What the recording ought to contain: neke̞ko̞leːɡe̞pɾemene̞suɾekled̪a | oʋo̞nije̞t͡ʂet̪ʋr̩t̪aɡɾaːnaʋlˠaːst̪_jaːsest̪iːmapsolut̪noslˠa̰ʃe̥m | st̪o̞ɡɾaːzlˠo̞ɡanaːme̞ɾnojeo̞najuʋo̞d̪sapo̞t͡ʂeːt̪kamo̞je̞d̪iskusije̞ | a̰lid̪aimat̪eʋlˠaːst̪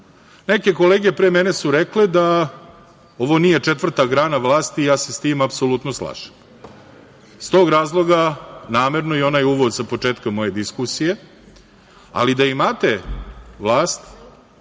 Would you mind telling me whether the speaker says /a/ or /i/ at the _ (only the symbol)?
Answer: i